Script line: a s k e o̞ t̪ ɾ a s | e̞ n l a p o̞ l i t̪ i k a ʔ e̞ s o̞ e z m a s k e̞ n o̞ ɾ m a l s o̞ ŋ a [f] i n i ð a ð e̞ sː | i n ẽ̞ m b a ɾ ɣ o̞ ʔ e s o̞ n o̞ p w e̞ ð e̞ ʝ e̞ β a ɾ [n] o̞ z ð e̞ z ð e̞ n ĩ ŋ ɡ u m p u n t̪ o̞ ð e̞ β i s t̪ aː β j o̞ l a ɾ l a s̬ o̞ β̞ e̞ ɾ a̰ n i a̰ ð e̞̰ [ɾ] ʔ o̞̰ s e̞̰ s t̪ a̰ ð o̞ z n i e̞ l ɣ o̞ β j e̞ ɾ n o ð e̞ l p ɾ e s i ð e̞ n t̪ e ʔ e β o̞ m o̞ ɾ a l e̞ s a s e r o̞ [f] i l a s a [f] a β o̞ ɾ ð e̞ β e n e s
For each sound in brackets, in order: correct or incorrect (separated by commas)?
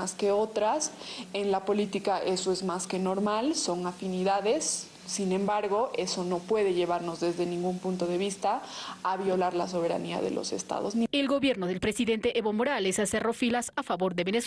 correct, correct, incorrect, correct, correct